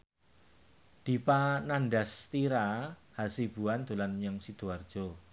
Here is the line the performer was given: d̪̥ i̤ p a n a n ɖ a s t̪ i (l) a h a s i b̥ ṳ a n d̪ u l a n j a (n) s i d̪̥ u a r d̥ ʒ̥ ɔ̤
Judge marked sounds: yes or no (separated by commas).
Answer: no, no